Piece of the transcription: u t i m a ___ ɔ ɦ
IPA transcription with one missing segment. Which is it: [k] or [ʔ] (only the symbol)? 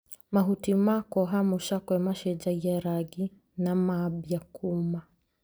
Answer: k